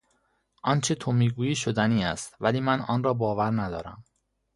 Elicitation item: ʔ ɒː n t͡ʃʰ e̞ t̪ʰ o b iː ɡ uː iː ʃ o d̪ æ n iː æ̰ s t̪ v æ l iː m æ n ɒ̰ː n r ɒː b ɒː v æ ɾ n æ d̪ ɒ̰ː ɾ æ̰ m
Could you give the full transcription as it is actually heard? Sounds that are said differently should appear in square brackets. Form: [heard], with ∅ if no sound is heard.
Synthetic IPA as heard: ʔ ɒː n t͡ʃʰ e̞ t̪ʰ o [m] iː ɡ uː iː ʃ o d̪ æ n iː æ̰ s t̪ v æ l iː m æ n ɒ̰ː n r ɒː b ɒː v æ ɾ n æ d̪ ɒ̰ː ɾ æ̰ m